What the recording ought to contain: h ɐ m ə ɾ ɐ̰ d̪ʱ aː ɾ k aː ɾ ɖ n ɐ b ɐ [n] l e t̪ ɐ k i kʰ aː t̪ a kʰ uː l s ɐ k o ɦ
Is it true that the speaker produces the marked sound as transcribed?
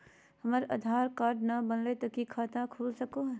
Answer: yes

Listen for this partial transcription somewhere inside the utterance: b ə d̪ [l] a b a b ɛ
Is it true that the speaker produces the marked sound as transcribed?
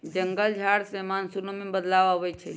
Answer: yes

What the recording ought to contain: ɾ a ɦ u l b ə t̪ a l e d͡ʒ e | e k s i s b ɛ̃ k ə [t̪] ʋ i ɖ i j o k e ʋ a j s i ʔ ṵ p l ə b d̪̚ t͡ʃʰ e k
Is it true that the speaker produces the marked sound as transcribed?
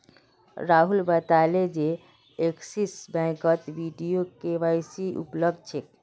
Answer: yes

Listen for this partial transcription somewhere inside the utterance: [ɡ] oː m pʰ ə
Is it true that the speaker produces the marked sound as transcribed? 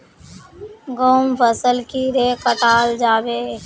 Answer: yes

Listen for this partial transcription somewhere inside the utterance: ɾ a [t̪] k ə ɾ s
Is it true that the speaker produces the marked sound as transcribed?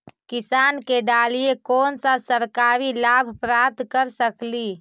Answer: yes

